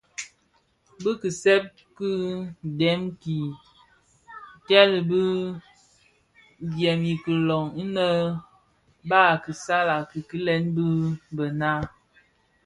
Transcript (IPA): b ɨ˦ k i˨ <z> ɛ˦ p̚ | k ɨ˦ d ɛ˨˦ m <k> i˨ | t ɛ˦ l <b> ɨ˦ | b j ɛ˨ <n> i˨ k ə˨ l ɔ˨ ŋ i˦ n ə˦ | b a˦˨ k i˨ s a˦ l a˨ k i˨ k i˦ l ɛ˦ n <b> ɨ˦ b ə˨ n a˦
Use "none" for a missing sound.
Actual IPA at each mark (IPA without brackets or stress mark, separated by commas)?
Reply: s, k, b, m, b